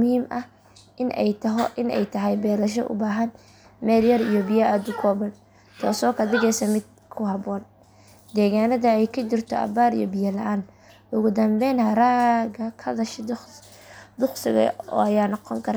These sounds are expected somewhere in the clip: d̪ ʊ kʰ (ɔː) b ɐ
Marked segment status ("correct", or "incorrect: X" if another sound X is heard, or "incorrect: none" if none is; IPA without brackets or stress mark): correct